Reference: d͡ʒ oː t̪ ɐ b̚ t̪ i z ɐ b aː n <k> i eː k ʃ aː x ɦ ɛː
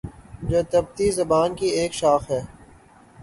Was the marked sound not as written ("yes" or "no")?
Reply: no